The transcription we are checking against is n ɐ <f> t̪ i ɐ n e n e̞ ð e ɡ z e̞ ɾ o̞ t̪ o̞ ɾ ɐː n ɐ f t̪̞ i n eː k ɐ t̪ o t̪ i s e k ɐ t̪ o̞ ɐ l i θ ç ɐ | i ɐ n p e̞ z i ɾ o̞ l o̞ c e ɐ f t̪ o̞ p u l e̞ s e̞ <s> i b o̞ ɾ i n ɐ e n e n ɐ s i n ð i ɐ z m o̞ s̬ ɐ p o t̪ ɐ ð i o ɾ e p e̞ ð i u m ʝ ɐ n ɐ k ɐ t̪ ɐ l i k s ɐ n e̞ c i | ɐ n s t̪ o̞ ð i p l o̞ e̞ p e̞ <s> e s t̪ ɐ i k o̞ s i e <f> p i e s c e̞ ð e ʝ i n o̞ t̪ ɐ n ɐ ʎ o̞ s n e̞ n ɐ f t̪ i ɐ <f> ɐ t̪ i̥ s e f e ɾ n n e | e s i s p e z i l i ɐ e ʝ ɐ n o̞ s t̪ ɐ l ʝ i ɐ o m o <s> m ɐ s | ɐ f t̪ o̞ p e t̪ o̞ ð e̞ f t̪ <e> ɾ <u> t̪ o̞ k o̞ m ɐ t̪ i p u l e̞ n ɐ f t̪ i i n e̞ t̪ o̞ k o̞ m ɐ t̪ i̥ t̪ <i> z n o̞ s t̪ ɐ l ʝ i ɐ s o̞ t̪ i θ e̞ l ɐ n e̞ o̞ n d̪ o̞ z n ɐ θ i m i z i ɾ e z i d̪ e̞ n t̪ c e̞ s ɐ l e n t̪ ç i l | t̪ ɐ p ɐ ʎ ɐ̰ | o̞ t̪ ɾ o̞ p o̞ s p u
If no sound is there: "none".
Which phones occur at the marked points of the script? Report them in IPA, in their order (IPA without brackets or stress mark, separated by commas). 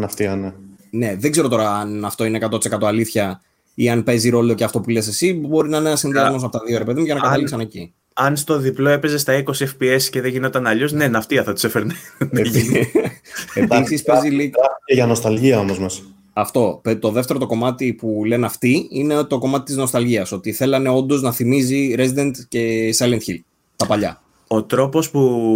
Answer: f, s, z, f, θ, z, e, o, i